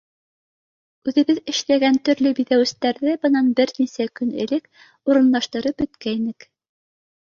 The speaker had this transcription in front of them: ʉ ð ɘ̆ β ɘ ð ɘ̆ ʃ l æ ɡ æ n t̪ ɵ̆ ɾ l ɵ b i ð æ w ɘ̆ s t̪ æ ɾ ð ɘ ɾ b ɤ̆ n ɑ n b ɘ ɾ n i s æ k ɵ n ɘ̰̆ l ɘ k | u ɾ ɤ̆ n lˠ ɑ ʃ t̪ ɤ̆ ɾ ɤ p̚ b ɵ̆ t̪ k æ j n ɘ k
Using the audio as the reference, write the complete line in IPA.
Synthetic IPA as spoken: ʉ ð ɘ̆ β ɘ ð ɘ̆ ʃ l æ ɡ æ n t̪ ɵ̆ ɾ l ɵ b i ð æ w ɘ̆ s t̪ æ ɾ ð ɘ b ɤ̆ n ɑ n b ɘ ɾ n i s æ k ɵ n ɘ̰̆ l ɘ k | u ɾ ɤ̆ n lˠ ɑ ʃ t̪ ɤ̆ ɾ ɤ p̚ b ɵ̆ t̪ k æ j n ɘ k